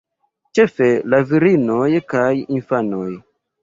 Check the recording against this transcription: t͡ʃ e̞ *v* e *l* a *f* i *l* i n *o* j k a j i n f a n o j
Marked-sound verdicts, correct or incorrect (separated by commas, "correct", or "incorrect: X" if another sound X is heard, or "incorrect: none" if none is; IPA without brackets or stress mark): incorrect: f, correct, incorrect: v, incorrect: ɾ, correct